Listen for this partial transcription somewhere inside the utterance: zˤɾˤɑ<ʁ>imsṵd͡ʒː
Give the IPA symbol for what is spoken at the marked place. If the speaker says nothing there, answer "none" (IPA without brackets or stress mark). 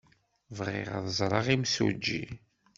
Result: ʁ